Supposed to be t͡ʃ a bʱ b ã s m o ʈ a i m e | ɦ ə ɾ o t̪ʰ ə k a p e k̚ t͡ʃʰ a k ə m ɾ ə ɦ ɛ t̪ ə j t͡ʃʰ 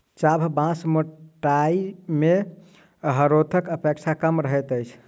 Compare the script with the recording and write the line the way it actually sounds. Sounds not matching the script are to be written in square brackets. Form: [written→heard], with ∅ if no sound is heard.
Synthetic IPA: t͡ʃ a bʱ b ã s m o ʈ a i m e | ɦ ə ɾ o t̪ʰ ə k [a→ə] p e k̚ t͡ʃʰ a k ə m ɾ ə ɦ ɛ t̪ ə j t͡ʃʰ